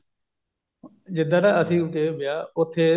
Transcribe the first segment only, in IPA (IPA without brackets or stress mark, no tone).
d͡ʒ